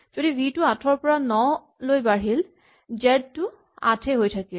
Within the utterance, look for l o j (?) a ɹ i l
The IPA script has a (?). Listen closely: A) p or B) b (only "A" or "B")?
B